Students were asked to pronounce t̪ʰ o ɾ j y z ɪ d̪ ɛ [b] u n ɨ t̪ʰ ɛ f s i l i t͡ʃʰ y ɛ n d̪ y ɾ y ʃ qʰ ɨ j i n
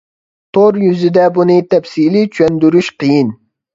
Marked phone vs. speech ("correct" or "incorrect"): correct